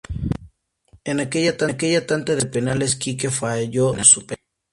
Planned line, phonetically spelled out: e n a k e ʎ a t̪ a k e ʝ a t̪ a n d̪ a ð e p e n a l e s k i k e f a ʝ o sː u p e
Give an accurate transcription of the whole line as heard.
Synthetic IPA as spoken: e n a k e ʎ a t̪ a k e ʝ a t̪ a n t̪ a ð e p e n a l e s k i k e f a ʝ o s u p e